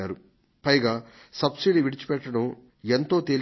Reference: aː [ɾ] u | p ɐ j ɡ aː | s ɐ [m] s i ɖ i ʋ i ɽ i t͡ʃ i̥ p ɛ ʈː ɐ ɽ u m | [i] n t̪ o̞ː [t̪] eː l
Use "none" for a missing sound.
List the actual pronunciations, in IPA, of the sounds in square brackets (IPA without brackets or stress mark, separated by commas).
ɾ, b, e, t̪